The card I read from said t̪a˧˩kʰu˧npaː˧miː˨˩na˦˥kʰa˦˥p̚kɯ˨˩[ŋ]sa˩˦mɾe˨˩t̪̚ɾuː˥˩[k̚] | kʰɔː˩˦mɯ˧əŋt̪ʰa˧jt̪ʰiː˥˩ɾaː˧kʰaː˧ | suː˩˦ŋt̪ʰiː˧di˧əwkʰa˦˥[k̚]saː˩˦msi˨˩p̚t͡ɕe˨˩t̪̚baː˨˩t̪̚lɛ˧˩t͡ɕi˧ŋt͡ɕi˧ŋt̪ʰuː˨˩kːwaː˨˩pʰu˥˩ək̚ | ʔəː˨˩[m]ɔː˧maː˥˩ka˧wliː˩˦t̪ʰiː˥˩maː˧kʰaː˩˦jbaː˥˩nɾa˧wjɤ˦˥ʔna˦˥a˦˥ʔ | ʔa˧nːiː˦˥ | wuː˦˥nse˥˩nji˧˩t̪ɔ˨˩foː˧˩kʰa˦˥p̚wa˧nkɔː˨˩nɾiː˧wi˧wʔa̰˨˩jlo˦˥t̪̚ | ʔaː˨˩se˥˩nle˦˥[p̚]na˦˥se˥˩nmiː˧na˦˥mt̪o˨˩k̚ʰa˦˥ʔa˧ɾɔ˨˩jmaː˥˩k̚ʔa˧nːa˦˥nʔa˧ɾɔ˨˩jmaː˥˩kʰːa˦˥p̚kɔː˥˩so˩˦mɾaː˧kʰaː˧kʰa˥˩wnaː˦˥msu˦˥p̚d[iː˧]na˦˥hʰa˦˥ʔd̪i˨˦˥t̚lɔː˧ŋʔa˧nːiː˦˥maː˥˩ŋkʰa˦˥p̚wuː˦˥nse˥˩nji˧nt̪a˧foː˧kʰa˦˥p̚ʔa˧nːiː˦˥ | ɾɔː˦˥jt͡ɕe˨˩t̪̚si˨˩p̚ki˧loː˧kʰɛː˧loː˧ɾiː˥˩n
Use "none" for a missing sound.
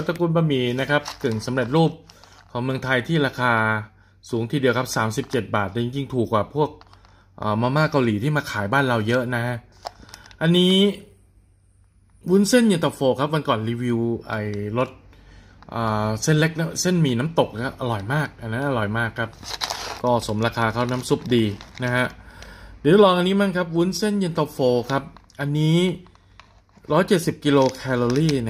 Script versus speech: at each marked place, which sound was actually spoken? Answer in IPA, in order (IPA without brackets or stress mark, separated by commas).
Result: ŋ, p̚, p̚, m, k̚, iː˧